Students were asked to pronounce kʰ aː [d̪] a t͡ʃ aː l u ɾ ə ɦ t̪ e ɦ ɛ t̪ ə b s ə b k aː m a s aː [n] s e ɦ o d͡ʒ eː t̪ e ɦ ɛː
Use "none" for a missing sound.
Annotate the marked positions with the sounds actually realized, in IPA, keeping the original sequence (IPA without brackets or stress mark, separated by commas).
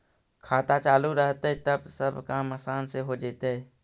t̪, n